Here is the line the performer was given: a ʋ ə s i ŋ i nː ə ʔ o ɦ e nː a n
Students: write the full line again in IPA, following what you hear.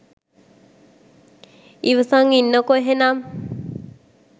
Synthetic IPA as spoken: i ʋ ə s a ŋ i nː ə k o ɦ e n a m